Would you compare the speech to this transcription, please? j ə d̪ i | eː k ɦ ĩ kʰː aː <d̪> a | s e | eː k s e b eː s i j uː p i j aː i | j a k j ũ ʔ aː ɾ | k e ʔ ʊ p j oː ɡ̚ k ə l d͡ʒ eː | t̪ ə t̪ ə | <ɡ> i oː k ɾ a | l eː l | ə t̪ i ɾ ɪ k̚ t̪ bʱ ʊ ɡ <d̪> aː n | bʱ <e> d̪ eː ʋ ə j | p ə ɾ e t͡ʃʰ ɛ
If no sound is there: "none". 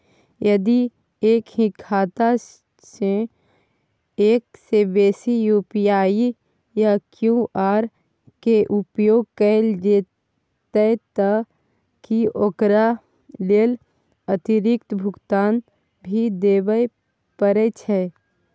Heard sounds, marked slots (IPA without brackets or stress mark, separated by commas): t̪, k, t̪, i